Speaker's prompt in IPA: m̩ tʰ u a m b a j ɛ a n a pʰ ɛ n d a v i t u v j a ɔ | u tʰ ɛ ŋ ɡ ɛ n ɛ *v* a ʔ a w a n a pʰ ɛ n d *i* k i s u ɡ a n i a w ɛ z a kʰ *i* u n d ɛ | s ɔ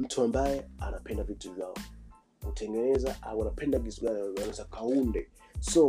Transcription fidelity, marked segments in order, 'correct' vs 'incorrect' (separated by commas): incorrect, incorrect, incorrect